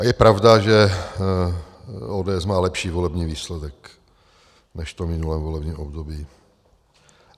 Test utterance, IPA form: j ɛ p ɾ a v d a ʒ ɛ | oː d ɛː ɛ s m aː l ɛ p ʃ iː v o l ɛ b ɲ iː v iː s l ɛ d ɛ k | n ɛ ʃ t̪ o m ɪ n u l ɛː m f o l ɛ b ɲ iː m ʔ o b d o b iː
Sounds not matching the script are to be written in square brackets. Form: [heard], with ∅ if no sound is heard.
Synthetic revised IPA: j ɛ p ɾ a v d a ʒ ɛ | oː d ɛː ɛ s m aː l ɛ p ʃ iː v o l ɛ b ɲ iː v iː s l ɛ d ɛ k | n ɛ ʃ t̪ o m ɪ n u l ɛː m [v] o l ɛ b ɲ iː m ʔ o b d o b iː

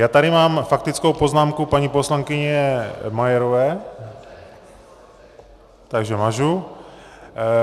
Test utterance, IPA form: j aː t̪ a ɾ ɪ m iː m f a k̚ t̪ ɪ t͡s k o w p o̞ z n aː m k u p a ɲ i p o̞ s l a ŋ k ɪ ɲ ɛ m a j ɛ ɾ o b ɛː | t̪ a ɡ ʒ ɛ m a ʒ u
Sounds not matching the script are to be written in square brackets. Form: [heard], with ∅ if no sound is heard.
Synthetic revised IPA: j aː t̪ a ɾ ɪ m [aː] m f a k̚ t̪ ɪ t͡s k o w p o̞ z n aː m k u p a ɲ i p o̞ s l a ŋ k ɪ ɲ ɛ m a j ɛ ɾ o [v] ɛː | t̪ a ɡ ʒ ɛ m a ʒ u

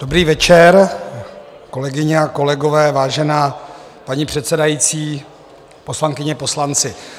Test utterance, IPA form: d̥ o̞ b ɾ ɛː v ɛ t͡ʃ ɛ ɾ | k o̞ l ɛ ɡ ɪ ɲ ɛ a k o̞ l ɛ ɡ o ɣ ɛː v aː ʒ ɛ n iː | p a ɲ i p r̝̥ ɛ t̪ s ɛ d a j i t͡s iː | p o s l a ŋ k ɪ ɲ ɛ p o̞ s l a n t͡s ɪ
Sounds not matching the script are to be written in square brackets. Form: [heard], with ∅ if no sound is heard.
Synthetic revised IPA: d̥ o̞ b ɾ [iː] v ɛ t͡ʃ ɛ ɾ | k o̞ l ɛ ɡ ɪ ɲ ɛ a k o̞ l ɛ ɡ o [v] ɛː v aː ʒ ɛ n [aː] | p a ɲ i p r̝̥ ɛ t̪ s ɛ d a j i t͡s iː | p o s l a ŋ k ɪ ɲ ɛ p o̞ s l a n t͡s ɪ

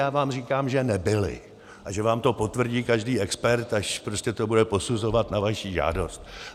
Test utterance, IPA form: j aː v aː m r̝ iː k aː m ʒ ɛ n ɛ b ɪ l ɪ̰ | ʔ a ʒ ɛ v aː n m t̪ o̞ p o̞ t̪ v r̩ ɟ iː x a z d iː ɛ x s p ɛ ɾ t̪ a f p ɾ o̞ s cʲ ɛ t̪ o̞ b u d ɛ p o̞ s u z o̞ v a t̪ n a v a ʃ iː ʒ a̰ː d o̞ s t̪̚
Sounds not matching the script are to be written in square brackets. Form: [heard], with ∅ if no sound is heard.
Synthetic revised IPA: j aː v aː m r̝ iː k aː m ʒ ɛ n ɛ b ɪ l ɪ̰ | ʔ a ʒ ɛ v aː [∅] m t̪ o̞ p o̞ t̪ v r̩ ɟ iː [k] a [ʒ] d iː ɛ [k] s p ɛ ɾ t̪ a [ʃ] p ɾ o̞ s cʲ ɛ t̪ o̞ b u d ɛ p o̞ s u z o̞ v a t̪ n a v a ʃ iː ʒ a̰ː d o̞ s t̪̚

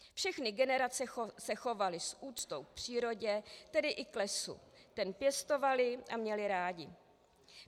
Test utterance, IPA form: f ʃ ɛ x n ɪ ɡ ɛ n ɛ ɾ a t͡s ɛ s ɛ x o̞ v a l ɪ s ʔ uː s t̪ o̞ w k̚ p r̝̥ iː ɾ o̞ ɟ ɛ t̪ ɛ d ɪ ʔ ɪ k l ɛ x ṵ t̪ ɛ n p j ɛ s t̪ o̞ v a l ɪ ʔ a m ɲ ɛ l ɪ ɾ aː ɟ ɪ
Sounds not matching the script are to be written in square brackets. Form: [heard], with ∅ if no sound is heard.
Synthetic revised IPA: f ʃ ɛ x n ɪ ɡ ɛ n ɛ ɾ a t͡s ɛ s ɛ x o̞ v a l ɪ s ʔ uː [t͡s] t̪ o̞ w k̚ p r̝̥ iː ɾ o̞ ɟ ɛ t̪ ɛ d ɪ ʔ ɪ k l ɛ [s] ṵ t̪ ɛ n p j ɛ s t̪ o̞ v a l ɪ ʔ a m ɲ ɛ l ɪ ɾ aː ɟ ɪ

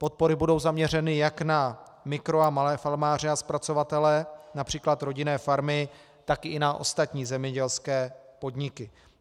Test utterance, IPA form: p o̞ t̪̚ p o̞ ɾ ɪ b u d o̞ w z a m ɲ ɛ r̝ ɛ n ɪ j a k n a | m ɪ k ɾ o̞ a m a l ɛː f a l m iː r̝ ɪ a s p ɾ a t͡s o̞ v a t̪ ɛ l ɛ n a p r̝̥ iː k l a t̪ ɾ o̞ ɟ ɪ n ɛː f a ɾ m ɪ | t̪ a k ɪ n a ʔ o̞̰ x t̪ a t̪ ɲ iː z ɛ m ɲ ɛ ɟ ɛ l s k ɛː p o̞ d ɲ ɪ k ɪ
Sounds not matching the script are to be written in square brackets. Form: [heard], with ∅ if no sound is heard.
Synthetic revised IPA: p o̞ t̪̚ p o̞ ɾ ɪ b u d o̞ w z a m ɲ ɛ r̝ ɛ n ɪ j a k n a | m ɪ k ɾ o̞ a m a l ɛː f a l m [aː] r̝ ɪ a s p ɾ a t͡s o̞ v a t̪ ɛ l ɛ n a p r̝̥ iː k l a t̪ ɾ o̞ ɟ ɪ n ɛː f a ɾ m ɪ | t̪ a k ɪ n a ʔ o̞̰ [s] t̪ a t̪ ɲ iː z ɛ m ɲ ɛ ɟ ɛ l s k ɛː p o̞ d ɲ ɪ k ɪ

